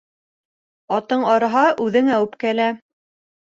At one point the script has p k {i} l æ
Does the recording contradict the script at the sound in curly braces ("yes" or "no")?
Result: yes